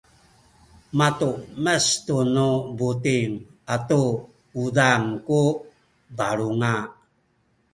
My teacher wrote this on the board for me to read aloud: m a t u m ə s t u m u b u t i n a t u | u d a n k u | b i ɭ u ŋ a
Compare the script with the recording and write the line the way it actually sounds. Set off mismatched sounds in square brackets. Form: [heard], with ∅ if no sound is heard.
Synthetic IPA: m a t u m ə s t u [n] u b u t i [ŋ] a t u | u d a [ŋ] k u | b [a] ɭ u ŋ a